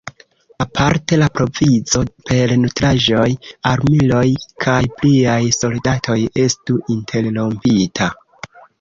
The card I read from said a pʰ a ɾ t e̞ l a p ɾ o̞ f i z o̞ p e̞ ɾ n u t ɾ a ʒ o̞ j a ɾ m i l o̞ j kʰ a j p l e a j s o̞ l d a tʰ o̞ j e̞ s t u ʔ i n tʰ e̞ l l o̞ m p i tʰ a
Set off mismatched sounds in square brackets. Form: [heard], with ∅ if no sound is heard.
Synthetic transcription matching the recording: a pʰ a ɾ t e̞ l a p ɾ o̞ [v] i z o̞ p e̞ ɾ n u t ɾ a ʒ o̞ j a ɾ m i l o̞ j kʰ a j p l [i] a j s o̞ l d a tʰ o̞ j e̞ s t u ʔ i n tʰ e̞ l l o̞ m p i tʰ a